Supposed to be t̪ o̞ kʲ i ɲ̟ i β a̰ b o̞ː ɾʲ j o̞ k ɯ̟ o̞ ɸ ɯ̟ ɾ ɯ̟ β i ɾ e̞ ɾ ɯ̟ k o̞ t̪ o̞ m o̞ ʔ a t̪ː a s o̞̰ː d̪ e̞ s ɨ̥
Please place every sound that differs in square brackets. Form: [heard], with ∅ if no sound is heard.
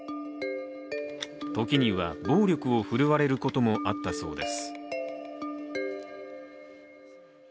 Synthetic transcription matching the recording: t̪ o̞ kʲ i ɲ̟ i β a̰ b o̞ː ɾʲ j o̞ k ɯ̟ o̞ ɸ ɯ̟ ɾ ɯ̟ β [a] ɾ e̞ ɾ ɯ̟ k o̞ t̪ o̞ m o̞ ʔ a t̪ː a s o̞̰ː d̪ e̞ s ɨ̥